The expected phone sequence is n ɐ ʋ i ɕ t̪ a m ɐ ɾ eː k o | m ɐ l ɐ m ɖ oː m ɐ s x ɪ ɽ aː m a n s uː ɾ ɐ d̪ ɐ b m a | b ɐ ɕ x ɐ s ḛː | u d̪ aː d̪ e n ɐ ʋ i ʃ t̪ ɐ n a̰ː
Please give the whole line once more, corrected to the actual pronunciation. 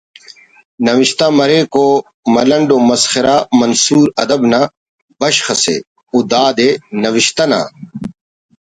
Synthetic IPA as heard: n ɐ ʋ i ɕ t̪ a m ɐ ɾ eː k o | m ɐ l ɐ ɳ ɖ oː m ɐ s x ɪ ɾ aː m ɐ n s uː ɾ ɐ d̪ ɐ b n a | b ɐ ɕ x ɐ s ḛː | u d̪ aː d̪ e n ɐ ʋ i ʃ t̪ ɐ n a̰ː